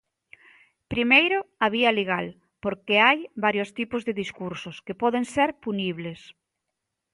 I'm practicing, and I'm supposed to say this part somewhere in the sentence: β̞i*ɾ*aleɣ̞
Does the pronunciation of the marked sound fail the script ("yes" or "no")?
yes